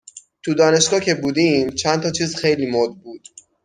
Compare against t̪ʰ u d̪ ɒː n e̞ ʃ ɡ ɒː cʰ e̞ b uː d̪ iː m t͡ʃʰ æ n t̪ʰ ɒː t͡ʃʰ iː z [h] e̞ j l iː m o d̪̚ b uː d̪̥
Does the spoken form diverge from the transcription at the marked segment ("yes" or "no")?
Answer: yes